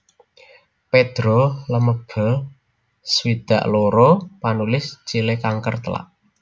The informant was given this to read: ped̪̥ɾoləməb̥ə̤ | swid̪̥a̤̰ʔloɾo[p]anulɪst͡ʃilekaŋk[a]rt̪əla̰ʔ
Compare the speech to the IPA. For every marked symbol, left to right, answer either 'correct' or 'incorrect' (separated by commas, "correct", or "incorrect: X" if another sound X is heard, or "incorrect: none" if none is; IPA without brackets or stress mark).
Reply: correct, incorrect: ə